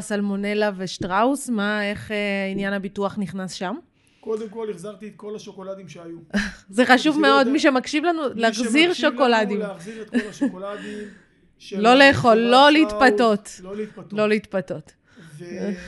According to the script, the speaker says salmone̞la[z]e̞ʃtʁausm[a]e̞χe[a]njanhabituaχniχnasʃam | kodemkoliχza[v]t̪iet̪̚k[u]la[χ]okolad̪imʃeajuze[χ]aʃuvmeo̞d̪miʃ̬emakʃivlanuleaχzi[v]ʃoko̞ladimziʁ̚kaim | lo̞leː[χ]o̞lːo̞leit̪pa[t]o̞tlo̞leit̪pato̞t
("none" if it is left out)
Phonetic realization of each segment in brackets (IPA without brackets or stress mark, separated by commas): v, a, i, ʁ, o, ʃ, χ, ʁ, χ, t